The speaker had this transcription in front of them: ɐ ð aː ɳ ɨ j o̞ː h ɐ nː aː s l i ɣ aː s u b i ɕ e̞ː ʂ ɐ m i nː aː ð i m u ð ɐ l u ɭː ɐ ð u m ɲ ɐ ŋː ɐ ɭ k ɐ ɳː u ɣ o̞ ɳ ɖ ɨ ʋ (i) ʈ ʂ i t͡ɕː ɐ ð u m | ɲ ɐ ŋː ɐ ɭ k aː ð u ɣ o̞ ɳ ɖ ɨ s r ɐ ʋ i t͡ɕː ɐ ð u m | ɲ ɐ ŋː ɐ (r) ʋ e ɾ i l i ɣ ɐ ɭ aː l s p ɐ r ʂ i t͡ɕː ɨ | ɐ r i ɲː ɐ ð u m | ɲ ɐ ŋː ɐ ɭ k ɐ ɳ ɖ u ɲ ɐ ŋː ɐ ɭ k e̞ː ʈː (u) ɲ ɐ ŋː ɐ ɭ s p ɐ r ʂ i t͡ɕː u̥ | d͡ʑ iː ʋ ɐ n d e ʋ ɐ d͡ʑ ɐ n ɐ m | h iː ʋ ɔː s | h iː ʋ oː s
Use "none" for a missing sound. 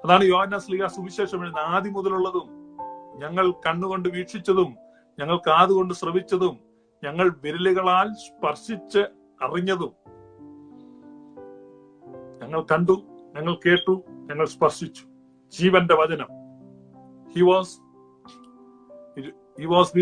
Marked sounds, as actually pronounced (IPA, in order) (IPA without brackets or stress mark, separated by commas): iː, ɭ, u